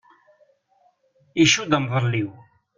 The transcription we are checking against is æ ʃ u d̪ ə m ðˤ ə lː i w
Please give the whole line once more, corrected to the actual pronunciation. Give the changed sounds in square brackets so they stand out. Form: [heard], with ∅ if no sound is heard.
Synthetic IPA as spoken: [i] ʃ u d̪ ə m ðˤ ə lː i w